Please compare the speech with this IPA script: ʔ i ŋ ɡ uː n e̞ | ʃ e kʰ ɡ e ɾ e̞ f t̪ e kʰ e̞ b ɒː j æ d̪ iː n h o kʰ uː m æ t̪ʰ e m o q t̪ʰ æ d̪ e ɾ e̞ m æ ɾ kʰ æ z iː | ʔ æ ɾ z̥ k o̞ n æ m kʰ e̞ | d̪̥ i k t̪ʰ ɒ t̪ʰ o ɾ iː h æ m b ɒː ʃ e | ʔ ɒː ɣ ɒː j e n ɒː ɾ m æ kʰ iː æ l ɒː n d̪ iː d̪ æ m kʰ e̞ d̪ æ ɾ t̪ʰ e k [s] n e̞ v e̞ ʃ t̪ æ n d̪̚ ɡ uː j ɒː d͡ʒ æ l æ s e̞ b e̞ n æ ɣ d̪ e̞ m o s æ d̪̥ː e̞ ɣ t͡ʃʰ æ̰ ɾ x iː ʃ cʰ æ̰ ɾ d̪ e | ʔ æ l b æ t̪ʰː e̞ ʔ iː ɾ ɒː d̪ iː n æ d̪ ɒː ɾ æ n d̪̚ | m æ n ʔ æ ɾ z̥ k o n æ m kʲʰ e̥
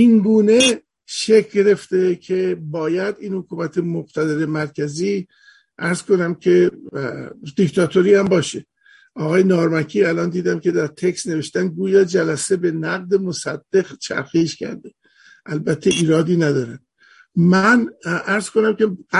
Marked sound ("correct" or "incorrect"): correct